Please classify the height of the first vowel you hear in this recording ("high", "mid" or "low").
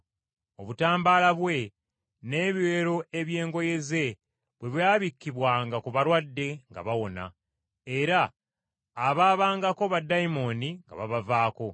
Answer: mid